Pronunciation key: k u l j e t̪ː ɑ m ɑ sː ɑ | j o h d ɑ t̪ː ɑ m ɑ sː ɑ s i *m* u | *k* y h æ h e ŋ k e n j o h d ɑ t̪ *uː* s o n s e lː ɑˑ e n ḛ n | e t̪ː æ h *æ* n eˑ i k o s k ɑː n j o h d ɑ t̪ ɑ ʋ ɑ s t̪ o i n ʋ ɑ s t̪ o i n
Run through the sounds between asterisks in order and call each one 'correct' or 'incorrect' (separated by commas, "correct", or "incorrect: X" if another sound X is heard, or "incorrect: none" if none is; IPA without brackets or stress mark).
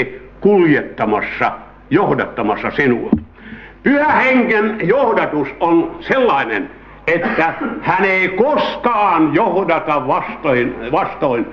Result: incorrect: n, incorrect: p, incorrect: u, correct